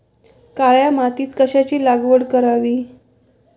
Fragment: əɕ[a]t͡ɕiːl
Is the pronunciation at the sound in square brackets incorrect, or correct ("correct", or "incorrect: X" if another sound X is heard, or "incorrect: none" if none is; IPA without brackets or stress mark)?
correct